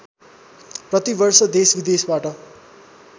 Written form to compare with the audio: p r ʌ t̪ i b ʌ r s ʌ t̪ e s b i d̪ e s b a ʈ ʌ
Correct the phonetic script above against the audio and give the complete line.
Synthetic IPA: p r ʌ t̪ i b ʌ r s ʌ d̪ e s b i d̪ e s b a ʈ ʌ

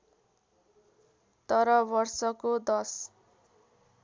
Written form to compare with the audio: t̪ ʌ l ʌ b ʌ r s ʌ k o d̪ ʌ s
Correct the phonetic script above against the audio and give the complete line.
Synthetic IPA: t̪ ʌ ɾ ʌ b ʌ r s ʌ k o d̪ ʌ s

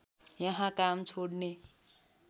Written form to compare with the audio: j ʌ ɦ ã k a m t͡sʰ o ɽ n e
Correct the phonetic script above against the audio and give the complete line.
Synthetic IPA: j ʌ ɦ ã k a m t͡sʰ o ɽ n e

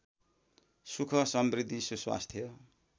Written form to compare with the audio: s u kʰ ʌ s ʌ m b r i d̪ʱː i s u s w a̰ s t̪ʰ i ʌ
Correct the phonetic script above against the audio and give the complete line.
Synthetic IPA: s u kʰ ʌ s ʌ m b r i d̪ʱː i s u s w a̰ s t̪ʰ j ʌ

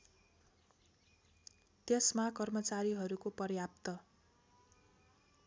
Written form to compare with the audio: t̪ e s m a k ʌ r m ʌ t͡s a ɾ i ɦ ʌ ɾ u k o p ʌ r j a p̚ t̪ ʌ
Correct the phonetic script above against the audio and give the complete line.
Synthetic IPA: t̪ e s m a k ʌ r m ʌ t͡s a ɾ i ɦ ʌ ɾ u k o p ʌ r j a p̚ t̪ ʌ

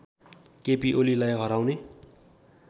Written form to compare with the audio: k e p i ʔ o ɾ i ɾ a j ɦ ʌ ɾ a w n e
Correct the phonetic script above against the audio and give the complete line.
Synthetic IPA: k e p i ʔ o l i l a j ɦ ʌ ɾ a w n e

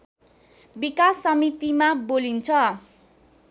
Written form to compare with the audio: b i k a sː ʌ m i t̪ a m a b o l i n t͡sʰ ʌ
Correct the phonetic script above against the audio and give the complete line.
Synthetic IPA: b i k a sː ʌ m i t̪ i m a b o l i n t͡sʰ ʌ

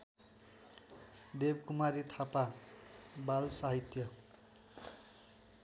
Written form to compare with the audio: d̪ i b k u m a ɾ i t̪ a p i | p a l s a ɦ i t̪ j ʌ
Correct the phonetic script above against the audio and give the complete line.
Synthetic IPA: d̪ e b k u m a ɾ i t̪ʰ a p a | b a l s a ɦ i t̪ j ʌ

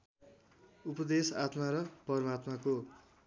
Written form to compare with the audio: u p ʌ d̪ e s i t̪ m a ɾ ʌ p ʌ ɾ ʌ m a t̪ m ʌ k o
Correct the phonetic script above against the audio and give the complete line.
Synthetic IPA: u p ʌ d̪ e s a t̪ m a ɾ ʌ p ʌ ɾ ʌ m a t̪ m a k o

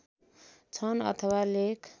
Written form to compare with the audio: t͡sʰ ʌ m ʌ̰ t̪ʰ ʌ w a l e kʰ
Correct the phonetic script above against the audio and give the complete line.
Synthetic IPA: t͡sʰ ʌ n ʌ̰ t̪ʰ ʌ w a l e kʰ

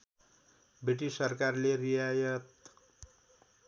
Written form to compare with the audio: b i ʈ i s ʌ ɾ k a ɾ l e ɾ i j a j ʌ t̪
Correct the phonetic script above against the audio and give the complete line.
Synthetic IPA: b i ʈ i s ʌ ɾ k a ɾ l e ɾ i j a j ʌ t̪

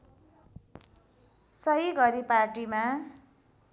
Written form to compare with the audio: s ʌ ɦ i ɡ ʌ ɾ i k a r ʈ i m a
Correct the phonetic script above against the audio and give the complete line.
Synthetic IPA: s ʌ ɦ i ɡ ʌ ɾ i p a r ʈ i m a

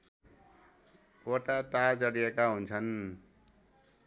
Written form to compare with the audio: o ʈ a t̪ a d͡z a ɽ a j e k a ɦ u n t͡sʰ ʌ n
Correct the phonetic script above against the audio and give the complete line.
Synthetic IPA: o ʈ a t̪ a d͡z ʌ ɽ i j e k a ɦ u n t͡sʰ ʌ n

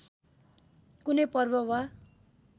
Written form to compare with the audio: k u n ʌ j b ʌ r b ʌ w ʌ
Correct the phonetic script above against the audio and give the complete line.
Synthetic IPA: k u n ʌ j p ʌ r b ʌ w a

